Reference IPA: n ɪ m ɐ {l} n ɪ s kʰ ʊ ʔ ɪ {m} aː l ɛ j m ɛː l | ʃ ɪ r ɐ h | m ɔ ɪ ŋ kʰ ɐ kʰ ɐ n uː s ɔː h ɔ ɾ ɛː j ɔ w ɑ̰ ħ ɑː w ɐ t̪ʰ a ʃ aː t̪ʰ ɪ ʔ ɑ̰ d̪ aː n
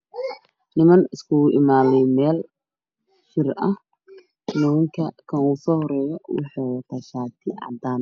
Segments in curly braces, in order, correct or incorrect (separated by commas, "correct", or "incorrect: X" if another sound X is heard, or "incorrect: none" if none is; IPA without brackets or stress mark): incorrect: none, correct